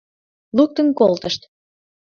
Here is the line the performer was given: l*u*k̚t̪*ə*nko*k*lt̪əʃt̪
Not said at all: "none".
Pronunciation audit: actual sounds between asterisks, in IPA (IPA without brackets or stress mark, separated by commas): u, ə, none